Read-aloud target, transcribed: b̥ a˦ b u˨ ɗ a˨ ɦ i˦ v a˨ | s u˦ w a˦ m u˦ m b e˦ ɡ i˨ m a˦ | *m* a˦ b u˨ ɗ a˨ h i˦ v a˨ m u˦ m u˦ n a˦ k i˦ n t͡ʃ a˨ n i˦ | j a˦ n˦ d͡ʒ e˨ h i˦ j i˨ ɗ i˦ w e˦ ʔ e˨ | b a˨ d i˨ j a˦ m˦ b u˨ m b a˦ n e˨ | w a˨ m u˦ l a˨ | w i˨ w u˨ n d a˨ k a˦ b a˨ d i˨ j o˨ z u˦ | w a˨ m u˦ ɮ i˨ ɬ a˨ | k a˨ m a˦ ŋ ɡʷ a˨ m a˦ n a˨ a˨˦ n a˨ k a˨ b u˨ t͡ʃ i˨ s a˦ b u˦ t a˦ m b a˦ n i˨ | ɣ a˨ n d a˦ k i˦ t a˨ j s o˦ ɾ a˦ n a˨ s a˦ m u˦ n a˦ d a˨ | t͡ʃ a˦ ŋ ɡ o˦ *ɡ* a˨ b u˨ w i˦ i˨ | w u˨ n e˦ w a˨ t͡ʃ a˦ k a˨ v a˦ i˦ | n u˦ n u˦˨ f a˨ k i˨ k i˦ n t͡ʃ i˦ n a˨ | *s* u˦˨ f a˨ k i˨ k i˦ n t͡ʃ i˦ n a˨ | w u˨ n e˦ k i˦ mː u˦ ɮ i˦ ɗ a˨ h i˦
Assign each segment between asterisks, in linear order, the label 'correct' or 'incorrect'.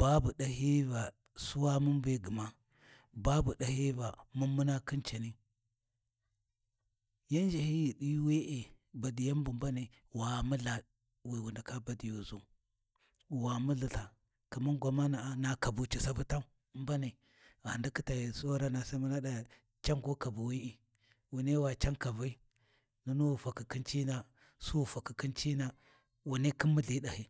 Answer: incorrect: b, incorrect: k, correct

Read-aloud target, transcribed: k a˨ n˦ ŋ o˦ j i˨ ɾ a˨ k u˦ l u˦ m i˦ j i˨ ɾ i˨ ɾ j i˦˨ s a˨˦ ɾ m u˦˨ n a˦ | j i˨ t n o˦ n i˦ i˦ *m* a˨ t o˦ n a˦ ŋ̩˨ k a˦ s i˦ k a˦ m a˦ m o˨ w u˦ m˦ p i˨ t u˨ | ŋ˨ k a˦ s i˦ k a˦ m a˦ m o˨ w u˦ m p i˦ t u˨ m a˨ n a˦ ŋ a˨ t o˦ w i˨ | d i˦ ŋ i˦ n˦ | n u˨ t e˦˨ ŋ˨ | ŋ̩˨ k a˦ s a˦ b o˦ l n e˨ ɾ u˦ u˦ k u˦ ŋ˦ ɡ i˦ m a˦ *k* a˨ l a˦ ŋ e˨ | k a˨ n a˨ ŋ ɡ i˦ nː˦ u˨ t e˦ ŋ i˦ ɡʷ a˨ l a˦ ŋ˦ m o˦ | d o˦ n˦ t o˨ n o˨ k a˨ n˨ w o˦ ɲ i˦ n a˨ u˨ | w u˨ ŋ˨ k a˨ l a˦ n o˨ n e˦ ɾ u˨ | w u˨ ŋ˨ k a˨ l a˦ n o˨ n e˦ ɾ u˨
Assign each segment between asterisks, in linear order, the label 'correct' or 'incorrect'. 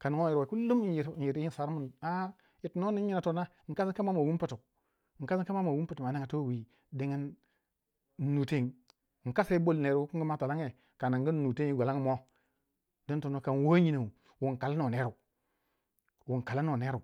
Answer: incorrect: n, incorrect: t

